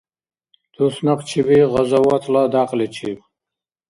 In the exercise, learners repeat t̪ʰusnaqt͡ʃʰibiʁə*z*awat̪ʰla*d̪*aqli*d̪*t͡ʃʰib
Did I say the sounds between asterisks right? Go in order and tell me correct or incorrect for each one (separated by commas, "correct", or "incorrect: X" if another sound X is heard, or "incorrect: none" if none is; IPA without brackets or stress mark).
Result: correct, correct, incorrect: none